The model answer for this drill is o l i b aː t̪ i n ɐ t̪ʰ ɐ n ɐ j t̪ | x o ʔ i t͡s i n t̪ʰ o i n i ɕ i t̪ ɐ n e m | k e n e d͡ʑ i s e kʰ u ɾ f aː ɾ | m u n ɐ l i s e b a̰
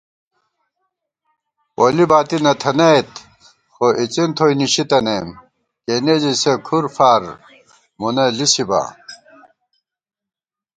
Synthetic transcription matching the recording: o l i b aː t̪ i n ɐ t̪ʰ ɐ n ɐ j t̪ | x o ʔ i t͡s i n t̪ʰ o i n i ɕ i t̪ ɐ n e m | k e n e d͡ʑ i s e kʰ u ɾ f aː ɾ | m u n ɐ l i s i b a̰